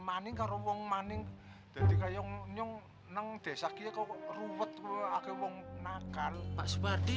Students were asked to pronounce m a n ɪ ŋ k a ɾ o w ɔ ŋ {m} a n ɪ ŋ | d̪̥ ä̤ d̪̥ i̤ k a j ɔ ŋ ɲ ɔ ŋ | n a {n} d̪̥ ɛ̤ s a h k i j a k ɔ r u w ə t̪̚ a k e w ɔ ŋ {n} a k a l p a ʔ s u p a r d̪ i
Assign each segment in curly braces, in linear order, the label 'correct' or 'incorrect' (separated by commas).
correct, incorrect, correct